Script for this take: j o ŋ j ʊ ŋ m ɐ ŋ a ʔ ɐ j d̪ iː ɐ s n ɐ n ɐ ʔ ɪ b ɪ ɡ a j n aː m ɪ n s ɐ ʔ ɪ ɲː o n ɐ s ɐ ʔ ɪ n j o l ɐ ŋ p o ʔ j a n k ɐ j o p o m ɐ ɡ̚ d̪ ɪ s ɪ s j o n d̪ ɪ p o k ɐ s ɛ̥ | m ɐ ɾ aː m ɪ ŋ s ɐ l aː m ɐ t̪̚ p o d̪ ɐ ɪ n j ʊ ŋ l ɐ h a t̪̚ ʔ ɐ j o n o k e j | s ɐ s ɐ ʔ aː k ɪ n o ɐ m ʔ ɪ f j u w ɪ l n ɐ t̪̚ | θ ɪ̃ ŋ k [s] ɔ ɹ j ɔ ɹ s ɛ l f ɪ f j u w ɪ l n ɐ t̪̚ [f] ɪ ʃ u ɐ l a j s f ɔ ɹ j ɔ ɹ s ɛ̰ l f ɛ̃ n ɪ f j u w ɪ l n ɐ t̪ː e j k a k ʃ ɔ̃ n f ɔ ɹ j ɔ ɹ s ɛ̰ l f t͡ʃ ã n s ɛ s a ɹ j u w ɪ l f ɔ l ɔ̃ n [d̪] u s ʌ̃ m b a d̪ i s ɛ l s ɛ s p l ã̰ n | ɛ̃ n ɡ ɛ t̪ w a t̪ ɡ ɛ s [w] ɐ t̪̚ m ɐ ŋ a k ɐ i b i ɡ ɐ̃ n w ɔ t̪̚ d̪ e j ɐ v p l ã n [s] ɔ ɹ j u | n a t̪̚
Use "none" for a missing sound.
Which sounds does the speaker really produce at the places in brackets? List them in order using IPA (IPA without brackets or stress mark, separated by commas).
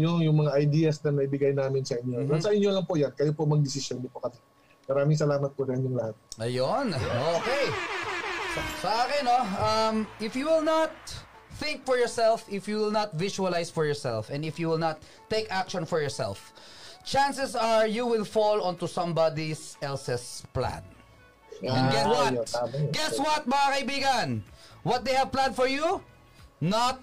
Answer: f, v, t̪, w, f